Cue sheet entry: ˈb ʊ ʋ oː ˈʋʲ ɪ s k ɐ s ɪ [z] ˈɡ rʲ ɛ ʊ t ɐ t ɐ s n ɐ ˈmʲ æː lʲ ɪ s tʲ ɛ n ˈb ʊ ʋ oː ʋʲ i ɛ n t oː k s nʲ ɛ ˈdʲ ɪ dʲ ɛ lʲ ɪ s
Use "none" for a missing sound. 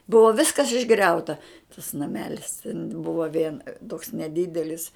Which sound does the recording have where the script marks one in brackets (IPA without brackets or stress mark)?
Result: ʒ